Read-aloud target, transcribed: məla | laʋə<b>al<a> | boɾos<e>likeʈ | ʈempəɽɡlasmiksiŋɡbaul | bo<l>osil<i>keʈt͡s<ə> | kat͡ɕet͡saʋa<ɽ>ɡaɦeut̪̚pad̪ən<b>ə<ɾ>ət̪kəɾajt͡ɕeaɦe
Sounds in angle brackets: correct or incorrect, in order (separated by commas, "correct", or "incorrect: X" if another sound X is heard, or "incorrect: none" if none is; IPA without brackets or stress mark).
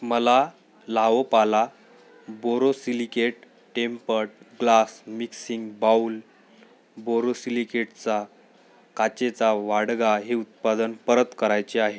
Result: incorrect: p, correct, incorrect: i, incorrect: ɾ, correct, incorrect: a, correct, incorrect: p, correct